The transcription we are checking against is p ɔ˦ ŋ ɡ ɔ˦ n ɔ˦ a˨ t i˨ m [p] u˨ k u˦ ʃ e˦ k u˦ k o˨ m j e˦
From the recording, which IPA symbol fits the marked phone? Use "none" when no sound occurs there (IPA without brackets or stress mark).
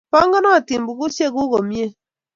b